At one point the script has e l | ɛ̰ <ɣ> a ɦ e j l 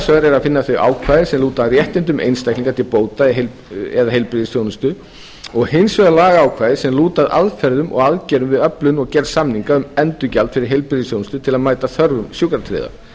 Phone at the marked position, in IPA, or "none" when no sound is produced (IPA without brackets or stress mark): ð